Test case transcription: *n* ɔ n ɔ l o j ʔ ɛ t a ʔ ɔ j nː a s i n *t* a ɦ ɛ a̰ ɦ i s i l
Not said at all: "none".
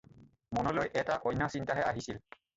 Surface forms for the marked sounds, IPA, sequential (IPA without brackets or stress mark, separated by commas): m, t